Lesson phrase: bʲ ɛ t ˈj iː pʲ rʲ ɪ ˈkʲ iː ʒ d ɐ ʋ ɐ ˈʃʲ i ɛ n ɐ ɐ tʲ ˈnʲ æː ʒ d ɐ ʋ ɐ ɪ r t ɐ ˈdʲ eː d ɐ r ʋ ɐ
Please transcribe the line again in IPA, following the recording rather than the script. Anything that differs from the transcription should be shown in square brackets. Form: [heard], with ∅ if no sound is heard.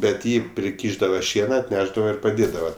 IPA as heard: bʲ ɛ t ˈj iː pʲ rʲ ɪ ˈkʲ iː ʒ d ɐ ʋ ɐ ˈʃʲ i ɛ n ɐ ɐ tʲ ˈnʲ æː ʒ d ɐ ʋ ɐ ɪ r [p] ɐ ˈdʲ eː d ɐ [∅] ʋ ɐ